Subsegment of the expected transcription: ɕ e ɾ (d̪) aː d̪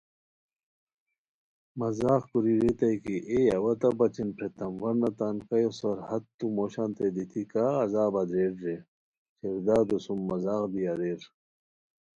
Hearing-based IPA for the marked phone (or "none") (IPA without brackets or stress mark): d̪